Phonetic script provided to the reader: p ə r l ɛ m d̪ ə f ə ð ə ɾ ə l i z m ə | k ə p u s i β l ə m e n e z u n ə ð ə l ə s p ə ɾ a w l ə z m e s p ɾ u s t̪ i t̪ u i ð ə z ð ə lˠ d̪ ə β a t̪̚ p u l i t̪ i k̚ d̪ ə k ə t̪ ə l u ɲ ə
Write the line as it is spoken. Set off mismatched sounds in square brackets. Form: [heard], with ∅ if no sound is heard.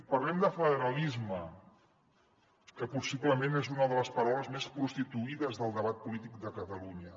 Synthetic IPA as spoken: p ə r l ɛ m d̪ ə f ə ð ə ɾ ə l i z m ə | k ə p u s i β l ə m e n e z u n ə ð ə l ə s p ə ɾ a w l ə z m e s p ɾ u s t̪ i t̪ u i ð ə z ð ə lˠ d̪ ə β a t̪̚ p u l i t̪ i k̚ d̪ ə k ə t̪ ə l u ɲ ə